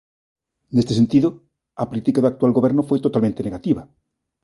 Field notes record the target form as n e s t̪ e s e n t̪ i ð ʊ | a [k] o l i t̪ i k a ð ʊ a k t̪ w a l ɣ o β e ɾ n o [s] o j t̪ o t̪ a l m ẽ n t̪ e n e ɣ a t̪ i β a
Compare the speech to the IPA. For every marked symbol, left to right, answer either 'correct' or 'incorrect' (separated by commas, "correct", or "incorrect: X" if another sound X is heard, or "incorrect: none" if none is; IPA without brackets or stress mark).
incorrect: p, incorrect: f